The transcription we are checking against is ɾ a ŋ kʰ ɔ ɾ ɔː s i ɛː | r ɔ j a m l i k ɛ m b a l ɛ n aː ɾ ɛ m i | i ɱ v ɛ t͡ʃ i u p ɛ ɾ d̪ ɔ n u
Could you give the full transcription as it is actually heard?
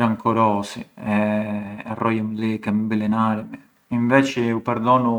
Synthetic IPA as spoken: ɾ a ŋ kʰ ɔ ɾ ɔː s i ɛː | r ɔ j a m l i k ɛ m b i l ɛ n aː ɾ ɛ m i | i ɱ v ɛ t͡ʃ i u p ɛ ɾ d̪ ɔ n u